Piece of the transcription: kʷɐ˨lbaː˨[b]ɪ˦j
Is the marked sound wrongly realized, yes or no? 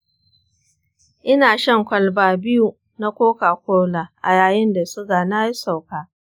no